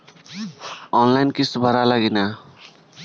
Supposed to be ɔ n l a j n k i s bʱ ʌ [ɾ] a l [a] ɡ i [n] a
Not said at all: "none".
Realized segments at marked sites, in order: ɾ, a, n

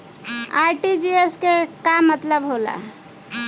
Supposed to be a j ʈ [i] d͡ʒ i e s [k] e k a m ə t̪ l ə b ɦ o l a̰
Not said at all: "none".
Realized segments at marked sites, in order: i, k

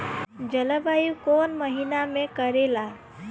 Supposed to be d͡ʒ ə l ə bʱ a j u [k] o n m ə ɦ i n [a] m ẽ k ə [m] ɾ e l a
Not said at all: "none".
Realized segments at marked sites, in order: k, a, none

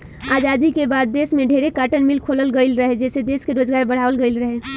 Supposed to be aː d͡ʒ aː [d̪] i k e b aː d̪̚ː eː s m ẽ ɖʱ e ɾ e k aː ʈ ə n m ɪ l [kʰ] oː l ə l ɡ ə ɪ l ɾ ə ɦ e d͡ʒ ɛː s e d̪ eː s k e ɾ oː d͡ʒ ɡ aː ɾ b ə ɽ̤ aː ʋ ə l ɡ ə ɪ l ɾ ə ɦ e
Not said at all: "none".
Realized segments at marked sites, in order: d̪, kʰ

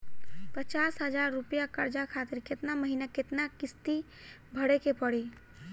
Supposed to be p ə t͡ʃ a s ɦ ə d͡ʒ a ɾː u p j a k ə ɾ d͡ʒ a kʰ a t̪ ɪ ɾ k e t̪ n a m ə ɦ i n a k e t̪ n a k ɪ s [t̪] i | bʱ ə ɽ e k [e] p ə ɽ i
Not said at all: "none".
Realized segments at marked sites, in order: t̪, e

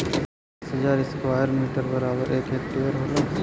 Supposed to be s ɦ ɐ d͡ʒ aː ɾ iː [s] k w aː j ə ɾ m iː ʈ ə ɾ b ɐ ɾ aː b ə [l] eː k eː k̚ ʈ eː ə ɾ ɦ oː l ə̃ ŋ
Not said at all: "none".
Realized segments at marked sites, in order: s, ɾ

